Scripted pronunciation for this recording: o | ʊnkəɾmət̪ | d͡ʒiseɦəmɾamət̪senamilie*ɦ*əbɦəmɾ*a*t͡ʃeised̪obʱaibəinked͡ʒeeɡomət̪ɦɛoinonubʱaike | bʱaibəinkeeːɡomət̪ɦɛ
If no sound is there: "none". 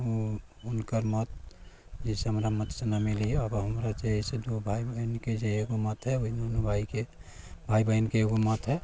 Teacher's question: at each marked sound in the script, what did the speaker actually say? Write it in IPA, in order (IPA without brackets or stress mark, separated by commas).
none, a